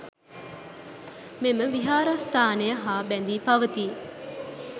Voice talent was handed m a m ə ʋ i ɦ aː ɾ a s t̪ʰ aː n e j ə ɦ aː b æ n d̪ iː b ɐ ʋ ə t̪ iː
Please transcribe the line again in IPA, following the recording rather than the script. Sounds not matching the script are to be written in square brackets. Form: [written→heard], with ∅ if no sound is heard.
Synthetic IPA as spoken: m [a→e] m ə ʋ i ɦ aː ɾ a s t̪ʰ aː n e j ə ɦ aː b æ n d̪ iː [b→p] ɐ ʋ ə t̪ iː

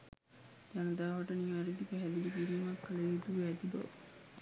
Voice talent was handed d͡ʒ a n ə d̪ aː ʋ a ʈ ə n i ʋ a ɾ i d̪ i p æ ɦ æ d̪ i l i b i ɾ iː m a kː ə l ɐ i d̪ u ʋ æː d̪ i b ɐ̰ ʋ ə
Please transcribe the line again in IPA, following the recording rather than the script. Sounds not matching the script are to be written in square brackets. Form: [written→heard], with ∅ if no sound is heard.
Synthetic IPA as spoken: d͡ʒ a n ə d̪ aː ʋ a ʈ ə n i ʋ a ɾ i d̪ i p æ ɦ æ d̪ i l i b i ɾ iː m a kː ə l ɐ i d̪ u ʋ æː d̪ i b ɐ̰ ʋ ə

